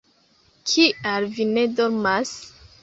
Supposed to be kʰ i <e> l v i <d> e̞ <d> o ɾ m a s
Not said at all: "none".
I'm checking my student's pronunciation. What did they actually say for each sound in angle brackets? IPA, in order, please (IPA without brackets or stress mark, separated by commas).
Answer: a, n, d